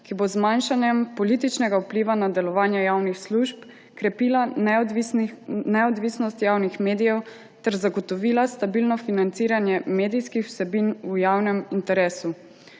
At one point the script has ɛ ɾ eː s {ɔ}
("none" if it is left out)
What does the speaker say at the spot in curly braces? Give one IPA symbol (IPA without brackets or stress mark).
u